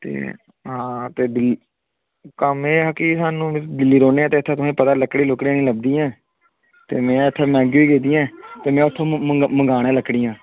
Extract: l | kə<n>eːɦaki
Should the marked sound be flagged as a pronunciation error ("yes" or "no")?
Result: yes